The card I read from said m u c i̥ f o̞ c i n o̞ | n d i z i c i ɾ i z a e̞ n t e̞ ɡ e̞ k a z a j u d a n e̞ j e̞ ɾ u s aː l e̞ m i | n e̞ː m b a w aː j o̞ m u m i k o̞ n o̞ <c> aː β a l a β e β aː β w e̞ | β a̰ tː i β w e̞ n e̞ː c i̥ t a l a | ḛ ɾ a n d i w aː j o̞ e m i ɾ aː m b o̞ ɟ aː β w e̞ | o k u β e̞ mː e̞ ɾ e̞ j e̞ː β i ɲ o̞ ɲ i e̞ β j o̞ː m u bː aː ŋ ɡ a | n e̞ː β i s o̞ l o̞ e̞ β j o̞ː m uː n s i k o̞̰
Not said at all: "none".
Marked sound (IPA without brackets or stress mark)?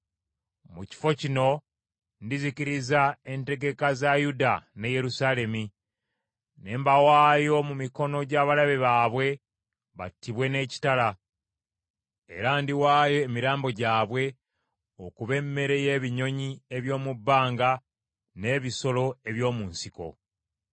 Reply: ɟ